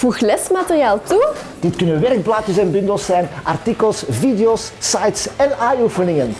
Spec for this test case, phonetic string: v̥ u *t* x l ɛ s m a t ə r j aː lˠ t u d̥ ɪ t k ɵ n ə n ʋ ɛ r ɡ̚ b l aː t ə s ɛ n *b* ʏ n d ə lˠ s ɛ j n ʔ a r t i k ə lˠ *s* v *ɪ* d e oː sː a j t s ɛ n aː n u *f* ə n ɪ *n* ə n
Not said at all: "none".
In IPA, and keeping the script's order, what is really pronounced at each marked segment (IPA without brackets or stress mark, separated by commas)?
none, b, s, i, f, ŋ